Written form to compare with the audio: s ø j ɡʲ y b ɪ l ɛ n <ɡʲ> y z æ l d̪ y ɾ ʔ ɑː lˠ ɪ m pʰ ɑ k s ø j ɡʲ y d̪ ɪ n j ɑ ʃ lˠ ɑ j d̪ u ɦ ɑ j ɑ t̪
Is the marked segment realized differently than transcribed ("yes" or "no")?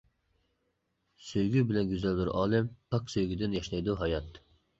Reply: no